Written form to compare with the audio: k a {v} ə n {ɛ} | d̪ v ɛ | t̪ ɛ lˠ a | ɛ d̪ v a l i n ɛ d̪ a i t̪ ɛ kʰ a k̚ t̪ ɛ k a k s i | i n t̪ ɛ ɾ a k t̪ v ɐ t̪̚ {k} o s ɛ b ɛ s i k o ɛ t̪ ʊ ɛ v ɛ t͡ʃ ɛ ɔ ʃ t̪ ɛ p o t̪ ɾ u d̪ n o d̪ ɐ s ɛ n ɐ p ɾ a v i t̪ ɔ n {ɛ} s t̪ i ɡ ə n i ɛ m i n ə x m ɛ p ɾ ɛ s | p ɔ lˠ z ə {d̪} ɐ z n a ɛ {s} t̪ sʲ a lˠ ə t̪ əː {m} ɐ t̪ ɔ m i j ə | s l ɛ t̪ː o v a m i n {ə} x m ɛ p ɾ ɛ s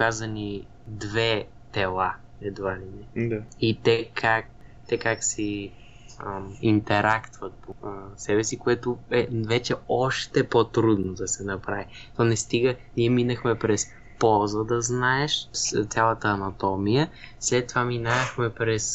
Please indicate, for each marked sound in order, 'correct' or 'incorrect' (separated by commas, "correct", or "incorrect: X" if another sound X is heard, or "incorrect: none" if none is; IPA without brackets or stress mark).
incorrect: z, incorrect: i, incorrect: p, correct, correct, incorrect: ʃ, incorrect: n, incorrect: a